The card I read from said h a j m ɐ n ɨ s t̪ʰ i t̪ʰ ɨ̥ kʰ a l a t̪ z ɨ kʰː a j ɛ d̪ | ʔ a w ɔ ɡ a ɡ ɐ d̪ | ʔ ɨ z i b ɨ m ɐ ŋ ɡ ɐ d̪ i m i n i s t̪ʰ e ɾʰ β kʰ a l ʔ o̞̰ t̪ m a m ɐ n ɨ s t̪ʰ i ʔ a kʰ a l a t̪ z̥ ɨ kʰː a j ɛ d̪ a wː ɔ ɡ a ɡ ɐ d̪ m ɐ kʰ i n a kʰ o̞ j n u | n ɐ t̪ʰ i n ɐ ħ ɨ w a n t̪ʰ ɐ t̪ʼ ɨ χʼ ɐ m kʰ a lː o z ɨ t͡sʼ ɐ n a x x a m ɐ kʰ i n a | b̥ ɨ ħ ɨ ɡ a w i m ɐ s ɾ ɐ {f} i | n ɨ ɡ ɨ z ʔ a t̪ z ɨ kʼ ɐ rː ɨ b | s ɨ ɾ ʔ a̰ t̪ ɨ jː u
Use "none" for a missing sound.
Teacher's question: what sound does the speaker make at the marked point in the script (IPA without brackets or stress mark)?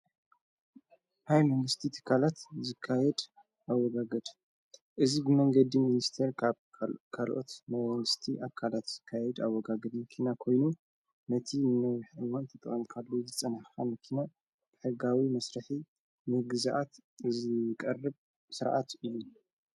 ħ